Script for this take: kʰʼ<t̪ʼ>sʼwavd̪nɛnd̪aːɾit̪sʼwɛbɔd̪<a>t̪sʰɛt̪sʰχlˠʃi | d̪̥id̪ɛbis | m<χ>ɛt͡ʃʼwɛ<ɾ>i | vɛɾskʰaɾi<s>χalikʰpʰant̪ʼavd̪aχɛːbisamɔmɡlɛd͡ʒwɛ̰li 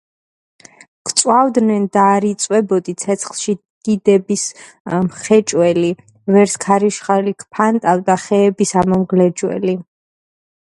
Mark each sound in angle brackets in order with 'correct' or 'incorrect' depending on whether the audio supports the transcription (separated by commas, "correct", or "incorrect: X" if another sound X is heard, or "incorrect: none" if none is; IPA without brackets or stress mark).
incorrect: t̪, incorrect: i, correct, incorrect: l, incorrect: ʃ